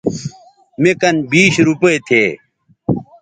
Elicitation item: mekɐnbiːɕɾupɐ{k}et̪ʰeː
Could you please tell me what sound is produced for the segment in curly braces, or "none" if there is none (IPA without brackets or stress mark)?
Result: none